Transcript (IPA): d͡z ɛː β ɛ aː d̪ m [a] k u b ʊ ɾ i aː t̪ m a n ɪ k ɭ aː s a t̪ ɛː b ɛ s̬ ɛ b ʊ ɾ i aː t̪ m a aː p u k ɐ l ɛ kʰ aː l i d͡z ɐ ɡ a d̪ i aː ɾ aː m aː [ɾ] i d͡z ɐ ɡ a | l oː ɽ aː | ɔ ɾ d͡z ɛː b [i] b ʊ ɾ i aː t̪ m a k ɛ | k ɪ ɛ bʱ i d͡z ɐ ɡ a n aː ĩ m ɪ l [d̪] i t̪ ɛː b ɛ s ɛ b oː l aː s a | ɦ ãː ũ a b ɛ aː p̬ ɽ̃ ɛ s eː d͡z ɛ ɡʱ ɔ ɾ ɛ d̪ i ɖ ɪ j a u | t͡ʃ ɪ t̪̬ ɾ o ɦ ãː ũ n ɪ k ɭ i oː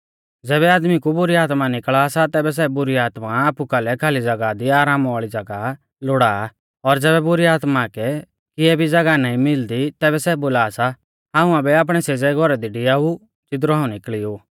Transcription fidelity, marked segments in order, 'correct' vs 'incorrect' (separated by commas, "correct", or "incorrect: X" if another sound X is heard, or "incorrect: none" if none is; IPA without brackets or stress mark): incorrect: i, incorrect: ɭ, incorrect: ɛ, correct